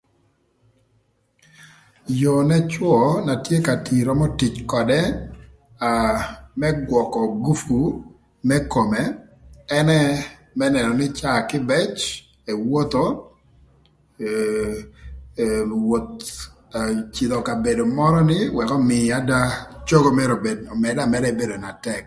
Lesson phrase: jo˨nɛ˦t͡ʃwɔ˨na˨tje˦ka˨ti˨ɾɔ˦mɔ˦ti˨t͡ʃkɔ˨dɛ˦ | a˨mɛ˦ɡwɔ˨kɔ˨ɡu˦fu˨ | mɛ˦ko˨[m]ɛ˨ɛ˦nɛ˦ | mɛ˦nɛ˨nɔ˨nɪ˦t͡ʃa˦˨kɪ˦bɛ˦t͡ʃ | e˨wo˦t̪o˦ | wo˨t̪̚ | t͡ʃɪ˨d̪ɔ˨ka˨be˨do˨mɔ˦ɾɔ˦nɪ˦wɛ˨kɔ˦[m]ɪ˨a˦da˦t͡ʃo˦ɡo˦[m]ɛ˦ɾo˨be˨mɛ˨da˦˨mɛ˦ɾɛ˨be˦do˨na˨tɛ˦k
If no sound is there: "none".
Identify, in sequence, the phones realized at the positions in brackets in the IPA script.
m, m, m

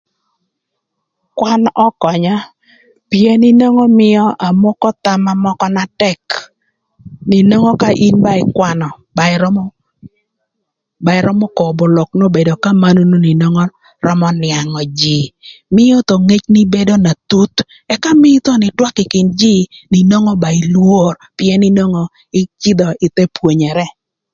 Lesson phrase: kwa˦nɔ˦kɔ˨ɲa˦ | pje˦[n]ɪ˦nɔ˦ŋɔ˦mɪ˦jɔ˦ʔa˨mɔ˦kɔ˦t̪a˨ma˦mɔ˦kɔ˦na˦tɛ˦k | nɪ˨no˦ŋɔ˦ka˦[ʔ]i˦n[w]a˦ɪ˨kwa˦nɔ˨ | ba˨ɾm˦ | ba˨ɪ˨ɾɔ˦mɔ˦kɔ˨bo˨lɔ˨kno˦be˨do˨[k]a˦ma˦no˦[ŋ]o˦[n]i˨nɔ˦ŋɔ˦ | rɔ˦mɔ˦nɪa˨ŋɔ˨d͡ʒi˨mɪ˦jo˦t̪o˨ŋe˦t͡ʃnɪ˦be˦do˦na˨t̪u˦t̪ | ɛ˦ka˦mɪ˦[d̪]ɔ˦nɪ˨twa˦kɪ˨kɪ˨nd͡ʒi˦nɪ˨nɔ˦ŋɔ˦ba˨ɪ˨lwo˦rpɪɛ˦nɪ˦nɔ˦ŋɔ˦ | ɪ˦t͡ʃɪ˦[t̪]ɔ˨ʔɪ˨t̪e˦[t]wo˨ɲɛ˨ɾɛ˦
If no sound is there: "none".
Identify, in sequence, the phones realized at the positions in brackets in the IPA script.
n, ʔ, b, k, n, n, t̪, d̪, p

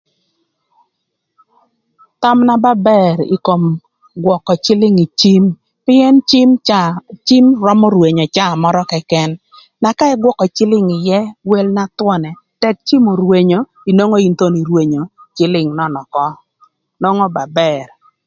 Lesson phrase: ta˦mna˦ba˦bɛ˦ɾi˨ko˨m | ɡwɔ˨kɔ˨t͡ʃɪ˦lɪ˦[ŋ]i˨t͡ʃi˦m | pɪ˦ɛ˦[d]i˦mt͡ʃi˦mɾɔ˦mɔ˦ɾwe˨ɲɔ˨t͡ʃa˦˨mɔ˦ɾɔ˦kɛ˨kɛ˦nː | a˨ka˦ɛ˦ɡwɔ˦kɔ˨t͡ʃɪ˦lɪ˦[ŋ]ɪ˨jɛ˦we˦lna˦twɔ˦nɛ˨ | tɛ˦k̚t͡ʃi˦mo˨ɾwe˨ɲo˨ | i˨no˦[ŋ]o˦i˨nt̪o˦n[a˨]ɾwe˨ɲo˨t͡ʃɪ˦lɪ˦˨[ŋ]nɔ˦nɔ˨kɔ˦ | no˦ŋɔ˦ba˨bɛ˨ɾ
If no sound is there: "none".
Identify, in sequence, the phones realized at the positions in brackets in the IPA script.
ŋ, n, ŋ, ŋ, i˨, ŋ

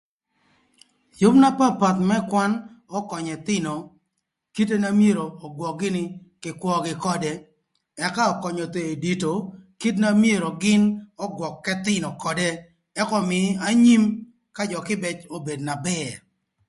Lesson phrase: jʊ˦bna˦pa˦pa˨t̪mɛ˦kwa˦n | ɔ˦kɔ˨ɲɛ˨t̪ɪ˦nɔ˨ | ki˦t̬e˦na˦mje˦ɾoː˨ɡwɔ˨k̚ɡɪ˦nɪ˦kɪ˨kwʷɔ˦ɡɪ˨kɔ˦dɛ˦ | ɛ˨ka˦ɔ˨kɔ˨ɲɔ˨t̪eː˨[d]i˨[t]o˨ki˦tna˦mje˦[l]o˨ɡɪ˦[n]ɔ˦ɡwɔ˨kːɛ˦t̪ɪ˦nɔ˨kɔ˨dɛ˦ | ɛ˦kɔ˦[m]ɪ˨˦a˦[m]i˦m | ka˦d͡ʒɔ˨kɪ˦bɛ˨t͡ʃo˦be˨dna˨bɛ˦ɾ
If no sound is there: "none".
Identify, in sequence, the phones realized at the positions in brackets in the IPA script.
d, t, ɾ, n, m, ɲ

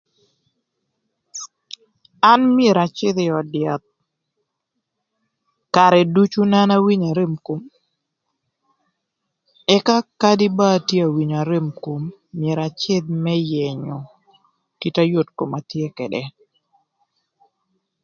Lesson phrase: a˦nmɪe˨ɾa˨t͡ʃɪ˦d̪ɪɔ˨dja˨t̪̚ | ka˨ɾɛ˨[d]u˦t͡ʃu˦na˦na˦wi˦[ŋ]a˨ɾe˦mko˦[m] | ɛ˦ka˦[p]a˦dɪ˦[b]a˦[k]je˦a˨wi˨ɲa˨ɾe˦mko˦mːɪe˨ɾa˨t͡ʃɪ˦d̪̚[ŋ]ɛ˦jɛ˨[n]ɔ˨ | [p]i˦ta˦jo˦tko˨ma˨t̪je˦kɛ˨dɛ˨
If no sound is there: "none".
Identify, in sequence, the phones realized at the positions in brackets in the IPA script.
d, ɲ, m, k, b, t, m, ɲ, k

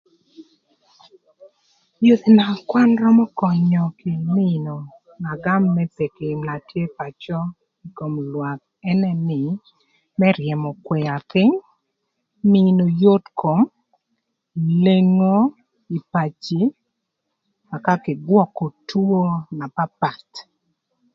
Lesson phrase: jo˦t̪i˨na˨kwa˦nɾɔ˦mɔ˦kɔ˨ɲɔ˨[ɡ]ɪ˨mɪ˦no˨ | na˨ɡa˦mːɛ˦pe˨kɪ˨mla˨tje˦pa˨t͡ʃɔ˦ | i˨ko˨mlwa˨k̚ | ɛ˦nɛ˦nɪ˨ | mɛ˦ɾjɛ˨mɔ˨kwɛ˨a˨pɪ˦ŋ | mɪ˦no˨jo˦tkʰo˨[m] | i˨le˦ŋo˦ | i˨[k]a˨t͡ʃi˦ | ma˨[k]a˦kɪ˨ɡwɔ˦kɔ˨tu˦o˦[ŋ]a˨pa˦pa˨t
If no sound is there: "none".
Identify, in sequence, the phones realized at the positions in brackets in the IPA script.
k, m, p, k, n

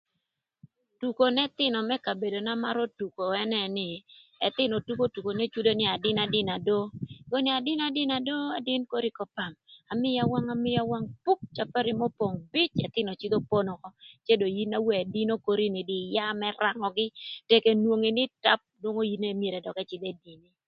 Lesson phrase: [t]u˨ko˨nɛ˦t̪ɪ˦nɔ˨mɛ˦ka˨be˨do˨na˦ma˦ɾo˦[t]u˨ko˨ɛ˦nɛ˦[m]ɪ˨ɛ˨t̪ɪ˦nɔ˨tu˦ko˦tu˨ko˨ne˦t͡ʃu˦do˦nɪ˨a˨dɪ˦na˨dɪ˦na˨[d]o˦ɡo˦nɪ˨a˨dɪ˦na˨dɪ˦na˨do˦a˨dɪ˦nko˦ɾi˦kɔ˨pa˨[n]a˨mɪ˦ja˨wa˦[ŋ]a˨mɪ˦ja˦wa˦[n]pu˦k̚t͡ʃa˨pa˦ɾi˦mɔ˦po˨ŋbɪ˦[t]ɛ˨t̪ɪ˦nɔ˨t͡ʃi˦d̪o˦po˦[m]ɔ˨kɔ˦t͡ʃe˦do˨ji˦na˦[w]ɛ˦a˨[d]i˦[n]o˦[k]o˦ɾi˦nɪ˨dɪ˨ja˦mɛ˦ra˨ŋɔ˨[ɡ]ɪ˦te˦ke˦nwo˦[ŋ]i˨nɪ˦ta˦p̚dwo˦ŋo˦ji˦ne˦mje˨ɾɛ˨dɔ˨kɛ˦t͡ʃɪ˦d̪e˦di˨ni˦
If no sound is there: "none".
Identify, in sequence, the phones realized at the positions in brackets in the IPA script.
t, t, n, d, m, ŋ, ŋ, t͡ʃ, n, w, d, n, k, ɡ, ŋ

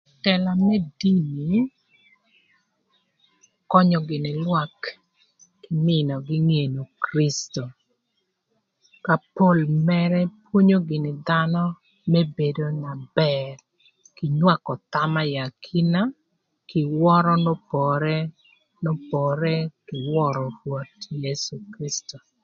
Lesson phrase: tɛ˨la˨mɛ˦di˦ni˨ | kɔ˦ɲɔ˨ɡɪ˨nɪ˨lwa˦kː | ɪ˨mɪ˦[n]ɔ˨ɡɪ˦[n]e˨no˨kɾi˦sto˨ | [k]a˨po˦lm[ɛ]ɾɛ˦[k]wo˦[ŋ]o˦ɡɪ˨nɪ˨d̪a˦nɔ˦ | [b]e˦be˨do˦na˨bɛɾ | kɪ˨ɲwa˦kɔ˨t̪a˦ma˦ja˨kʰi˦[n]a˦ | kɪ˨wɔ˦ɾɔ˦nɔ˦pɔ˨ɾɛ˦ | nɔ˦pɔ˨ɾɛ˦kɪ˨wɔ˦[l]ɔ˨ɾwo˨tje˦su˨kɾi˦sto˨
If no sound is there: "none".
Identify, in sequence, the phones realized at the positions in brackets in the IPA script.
n, ŋ, k, ɛ, p, ɲ, m, n, ɾ

